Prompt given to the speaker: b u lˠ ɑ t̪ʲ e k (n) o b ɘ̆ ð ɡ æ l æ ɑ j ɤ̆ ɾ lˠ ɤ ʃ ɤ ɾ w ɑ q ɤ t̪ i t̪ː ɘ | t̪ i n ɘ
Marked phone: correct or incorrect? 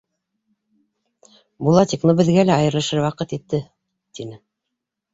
correct